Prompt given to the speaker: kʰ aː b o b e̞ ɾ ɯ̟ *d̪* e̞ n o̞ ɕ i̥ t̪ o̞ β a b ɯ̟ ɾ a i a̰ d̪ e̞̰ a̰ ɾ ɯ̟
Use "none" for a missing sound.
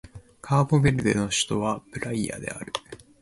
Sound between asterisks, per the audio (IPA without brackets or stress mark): d̪